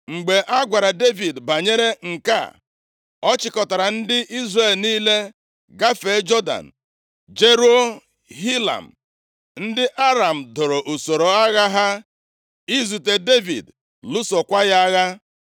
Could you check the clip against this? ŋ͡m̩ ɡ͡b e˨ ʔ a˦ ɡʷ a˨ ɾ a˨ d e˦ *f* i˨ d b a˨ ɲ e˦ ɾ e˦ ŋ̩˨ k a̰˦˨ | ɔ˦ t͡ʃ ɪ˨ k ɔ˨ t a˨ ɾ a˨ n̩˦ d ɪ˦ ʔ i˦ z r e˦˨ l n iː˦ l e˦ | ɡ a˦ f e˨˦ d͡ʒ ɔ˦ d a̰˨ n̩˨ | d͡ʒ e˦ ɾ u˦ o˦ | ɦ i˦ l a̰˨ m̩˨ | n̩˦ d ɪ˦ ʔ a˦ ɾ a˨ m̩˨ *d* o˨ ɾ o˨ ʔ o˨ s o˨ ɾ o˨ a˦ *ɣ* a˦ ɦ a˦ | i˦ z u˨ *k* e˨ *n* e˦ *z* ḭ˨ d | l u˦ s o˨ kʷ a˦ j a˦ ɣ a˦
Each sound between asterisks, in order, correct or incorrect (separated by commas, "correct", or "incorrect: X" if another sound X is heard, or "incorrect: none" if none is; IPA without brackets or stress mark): incorrect: v, correct, correct, incorrect: t, incorrect: d, incorrect: v